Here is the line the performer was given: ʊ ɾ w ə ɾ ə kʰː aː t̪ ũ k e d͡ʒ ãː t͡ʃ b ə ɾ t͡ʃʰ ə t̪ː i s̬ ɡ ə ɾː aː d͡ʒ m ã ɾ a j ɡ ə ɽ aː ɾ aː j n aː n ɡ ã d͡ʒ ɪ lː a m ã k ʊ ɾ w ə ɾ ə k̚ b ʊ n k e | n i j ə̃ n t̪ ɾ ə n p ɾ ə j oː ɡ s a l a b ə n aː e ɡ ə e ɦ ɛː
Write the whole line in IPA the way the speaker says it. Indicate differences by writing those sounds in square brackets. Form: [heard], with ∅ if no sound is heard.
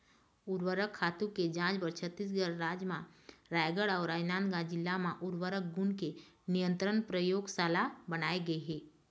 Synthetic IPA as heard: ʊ ɾ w ə ɾ ə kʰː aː t̪ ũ k e d͡ʒ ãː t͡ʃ b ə ɾ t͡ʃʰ ə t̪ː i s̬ ɡ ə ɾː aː d͡ʒ m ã ɾ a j ɡ ə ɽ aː ɾ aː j n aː n ɡ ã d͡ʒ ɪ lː a m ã [ʔ] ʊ ɾ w ə ɾ ə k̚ [ɡ] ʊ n k e | n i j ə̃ n t̪ ɾ ə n p ɾ ə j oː ɡ s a l a b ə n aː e ɡ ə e ɦ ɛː